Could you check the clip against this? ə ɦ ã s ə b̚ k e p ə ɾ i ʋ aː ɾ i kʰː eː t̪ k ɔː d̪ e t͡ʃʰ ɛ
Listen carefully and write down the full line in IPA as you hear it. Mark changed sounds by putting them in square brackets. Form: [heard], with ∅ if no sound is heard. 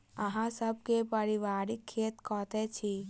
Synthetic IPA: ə ɦ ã s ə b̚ k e p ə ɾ i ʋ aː ɾ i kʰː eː t̪ k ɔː [t̪] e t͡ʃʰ [i]